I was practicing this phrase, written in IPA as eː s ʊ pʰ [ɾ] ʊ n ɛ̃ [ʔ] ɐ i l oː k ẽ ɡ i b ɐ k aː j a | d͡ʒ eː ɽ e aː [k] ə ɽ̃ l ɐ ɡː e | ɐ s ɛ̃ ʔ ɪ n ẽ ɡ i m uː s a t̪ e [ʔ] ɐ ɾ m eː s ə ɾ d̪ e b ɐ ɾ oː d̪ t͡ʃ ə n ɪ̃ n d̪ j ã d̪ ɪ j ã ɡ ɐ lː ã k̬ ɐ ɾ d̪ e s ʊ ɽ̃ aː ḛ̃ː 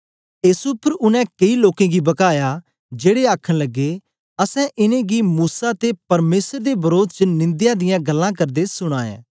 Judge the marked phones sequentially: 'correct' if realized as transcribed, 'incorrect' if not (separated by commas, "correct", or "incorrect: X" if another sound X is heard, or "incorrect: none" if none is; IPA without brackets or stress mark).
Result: correct, incorrect: k, incorrect: kʰ, incorrect: p